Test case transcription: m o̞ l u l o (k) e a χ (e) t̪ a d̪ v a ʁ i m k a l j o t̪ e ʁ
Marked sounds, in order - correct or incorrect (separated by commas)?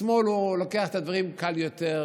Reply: correct, correct